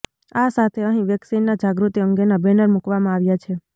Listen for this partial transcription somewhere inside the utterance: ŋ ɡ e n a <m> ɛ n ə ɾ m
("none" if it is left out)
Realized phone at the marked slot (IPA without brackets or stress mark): b